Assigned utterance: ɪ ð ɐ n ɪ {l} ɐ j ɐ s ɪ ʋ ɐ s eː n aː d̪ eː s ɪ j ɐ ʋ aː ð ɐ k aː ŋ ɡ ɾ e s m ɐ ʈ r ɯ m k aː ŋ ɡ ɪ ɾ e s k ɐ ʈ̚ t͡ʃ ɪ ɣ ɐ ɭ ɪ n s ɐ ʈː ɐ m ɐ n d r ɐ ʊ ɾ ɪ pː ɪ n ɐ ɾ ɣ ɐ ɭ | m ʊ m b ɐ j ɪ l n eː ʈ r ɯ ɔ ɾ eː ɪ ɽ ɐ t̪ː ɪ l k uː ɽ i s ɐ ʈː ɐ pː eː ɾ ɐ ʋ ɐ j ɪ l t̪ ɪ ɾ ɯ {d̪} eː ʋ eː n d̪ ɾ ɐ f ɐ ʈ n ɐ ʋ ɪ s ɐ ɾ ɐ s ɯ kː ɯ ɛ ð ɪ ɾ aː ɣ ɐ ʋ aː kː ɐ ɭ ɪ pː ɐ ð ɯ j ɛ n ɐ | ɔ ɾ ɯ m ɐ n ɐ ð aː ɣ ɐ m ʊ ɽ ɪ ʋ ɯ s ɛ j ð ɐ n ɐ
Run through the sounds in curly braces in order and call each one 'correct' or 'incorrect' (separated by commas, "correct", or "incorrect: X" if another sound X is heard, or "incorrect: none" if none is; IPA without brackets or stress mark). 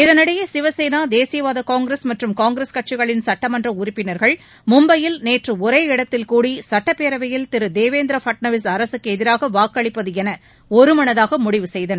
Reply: incorrect: ɽ, correct